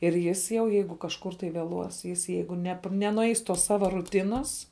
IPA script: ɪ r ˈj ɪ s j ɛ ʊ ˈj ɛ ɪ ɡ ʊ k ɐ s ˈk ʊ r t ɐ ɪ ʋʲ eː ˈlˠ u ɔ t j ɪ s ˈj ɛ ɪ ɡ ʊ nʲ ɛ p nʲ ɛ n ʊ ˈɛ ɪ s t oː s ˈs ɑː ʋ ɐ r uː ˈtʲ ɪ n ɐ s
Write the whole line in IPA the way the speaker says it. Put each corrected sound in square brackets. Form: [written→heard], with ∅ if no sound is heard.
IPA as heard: ɪ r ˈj ɪ s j ɛ ʊ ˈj ɛ ɪ ɡ ʊ k ɐ [s→ʃ] ˈk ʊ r t ɐ ɪ ʋʲ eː ˈlˠ u ɔ [t→s] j ɪ s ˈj ɛ ɪ ɡ ʊ nʲ ɛ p nʲ ɛ n ʊ ˈɛ ɪ s t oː s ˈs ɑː ʋ ɐ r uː ˈtʲ ɪ n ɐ s